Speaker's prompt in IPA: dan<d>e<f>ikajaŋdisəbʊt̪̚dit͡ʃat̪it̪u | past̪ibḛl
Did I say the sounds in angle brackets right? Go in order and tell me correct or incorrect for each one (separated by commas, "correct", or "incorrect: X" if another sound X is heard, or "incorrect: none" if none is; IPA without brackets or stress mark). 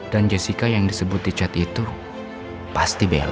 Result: incorrect: d͡ʒ, incorrect: s